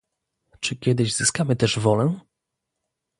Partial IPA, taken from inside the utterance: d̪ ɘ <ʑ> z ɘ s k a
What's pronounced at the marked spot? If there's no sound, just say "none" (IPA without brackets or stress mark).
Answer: ʑ